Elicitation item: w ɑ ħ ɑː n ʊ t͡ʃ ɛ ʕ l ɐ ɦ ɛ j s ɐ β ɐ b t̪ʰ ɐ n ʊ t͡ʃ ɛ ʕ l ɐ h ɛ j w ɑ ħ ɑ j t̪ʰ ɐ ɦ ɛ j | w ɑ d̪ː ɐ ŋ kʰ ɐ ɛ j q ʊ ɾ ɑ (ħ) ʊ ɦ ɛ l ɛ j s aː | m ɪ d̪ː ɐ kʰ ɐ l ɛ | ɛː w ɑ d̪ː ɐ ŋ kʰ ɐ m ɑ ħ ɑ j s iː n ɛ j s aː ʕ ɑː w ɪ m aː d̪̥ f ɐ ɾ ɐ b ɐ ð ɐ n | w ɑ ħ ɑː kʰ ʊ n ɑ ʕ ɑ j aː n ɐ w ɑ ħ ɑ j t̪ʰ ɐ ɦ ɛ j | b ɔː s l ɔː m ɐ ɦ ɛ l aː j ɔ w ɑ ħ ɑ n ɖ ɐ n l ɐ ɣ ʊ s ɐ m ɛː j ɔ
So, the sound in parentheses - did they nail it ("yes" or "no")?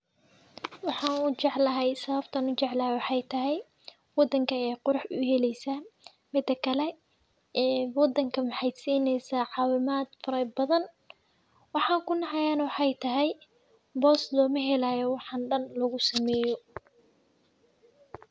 yes